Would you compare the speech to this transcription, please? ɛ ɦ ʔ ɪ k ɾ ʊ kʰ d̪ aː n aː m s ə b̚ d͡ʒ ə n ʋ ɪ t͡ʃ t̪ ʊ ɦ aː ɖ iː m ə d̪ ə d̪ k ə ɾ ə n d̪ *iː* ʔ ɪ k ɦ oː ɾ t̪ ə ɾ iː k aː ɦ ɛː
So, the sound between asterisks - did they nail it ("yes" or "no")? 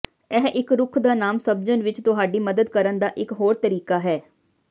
no